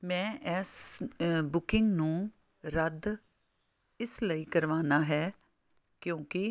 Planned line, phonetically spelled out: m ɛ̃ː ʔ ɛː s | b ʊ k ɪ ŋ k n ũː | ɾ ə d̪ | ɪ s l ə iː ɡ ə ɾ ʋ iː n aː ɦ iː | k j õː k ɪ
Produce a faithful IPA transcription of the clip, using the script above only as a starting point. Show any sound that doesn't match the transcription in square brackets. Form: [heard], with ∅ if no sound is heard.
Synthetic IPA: m ɛ̃ː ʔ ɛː s | b ʊ k ɪ ŋ [ɡ] n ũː | ɾ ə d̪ | ɪ s l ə iː [k] ə ɾ ʋ [aː] n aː ɦ [ɛː] | k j õː k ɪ